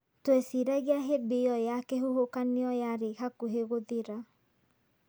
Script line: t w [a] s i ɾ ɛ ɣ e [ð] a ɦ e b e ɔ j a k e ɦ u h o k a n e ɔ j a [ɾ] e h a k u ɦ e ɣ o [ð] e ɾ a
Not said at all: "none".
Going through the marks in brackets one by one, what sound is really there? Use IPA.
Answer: e, none, ɾ, ð

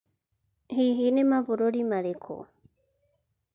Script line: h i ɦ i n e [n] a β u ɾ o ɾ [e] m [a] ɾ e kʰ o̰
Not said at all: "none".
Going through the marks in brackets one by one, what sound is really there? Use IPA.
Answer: m, i, a

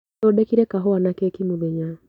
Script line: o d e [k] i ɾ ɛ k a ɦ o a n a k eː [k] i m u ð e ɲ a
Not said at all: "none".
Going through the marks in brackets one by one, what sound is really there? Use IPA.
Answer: k, k

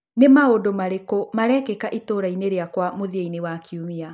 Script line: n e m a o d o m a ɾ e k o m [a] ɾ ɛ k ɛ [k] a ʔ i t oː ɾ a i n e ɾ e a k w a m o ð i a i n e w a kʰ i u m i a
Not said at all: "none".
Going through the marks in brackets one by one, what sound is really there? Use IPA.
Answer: a, k

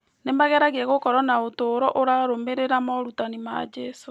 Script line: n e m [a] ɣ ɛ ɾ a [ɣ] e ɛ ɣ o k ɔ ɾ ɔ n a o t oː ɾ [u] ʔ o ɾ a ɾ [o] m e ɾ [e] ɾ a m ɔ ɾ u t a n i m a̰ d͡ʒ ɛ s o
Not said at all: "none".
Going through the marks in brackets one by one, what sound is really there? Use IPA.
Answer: a, ɣ, ɔ, o, e

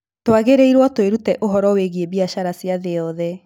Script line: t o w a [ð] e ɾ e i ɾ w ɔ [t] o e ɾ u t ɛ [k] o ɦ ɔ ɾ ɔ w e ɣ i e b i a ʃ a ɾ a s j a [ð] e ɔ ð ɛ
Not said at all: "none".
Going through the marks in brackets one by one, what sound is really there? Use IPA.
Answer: ɣ, t, ʔ, ð

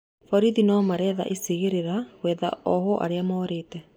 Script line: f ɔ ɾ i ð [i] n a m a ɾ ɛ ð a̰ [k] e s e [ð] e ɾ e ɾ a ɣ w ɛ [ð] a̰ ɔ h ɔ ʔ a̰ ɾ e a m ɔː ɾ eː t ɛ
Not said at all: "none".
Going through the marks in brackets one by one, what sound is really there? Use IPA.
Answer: i, ʔ, ɣ, ð

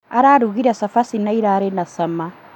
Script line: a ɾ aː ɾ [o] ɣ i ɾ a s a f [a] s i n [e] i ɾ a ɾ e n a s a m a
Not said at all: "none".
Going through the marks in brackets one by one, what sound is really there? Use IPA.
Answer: u, a, a

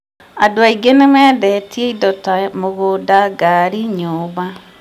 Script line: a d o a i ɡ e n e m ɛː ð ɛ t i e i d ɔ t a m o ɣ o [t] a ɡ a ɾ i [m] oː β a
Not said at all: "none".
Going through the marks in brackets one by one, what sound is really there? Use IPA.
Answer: d, ɲ

